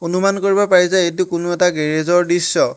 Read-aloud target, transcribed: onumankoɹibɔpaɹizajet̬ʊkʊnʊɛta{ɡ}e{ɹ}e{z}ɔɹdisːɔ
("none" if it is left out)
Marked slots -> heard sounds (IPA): ɡ, ɹ, z

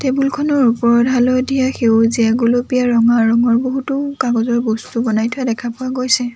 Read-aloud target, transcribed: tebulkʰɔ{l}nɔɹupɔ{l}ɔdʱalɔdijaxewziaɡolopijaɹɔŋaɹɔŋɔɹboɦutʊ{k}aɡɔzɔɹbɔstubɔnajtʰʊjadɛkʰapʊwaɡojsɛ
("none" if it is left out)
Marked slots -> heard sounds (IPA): none, ɹ, k

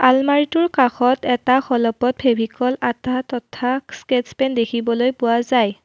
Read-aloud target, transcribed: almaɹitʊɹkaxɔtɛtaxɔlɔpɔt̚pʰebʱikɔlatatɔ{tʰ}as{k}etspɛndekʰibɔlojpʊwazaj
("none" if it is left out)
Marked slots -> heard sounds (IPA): tʰ, k

